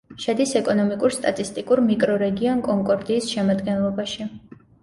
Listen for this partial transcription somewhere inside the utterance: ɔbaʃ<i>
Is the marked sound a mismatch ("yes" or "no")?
no